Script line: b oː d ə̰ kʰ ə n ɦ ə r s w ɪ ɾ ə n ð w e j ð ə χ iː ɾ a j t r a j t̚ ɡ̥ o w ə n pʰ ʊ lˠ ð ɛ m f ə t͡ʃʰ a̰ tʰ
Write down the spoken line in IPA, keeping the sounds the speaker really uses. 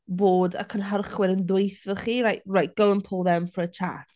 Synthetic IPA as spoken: b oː d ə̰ kʰ ə n ɦ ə r χ w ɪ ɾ ə n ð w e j θ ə χ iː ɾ a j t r a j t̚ ɡ̥ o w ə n pʰ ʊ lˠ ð ɛ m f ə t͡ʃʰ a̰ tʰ